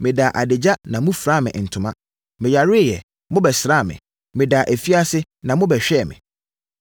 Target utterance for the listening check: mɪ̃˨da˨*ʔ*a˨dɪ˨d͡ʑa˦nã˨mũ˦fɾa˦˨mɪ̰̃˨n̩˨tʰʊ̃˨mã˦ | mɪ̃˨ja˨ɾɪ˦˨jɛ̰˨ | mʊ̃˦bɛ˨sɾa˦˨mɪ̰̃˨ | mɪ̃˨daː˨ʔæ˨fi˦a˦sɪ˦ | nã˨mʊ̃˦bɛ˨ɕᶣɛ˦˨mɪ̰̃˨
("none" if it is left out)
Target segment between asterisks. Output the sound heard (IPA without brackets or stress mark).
ʔ